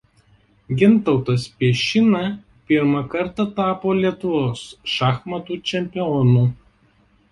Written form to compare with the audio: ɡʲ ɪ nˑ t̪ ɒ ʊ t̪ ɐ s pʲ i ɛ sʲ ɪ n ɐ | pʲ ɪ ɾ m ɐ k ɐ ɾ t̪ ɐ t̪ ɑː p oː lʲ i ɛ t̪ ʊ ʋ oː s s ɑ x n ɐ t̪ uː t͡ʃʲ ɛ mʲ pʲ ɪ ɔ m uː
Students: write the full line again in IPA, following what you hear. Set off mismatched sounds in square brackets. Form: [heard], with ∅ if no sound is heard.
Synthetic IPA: ɡʲ ɪ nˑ t̪ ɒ ʊ t̪ ɐ s pʲ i ɛ [ʃʲ] ɪ n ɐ | pʲ ɪ ɾ m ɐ k ɐ ɾ t̪ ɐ t̪ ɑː p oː lʲ i ɛ t̪ ʊ ʋ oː s [ʃ] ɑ x [m] ɐ t̪ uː t͡ʃʲ ɛ mʲ pʲ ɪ ɔ [n] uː